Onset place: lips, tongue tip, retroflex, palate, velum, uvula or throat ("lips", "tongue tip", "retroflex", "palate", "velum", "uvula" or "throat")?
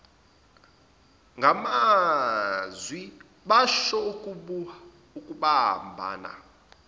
velum